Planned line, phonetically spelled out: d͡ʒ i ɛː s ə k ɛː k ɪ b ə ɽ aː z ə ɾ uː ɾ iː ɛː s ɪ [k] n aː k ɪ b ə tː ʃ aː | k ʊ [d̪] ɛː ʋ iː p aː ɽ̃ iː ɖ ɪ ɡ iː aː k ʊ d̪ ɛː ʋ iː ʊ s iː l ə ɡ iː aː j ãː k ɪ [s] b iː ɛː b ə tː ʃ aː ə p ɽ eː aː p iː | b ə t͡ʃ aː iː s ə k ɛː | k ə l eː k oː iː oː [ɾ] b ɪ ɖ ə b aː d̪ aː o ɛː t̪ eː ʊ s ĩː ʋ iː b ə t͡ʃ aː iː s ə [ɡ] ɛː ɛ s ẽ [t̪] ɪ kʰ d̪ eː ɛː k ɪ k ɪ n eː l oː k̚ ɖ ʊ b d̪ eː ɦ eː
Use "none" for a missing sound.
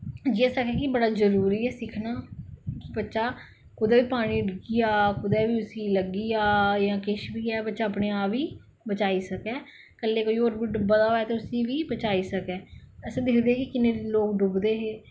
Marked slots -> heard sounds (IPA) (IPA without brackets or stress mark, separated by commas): kʰ, d̪, ʃ, ɾ, k, d̪